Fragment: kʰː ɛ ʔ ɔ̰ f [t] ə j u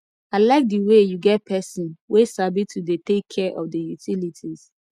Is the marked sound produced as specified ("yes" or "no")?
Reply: no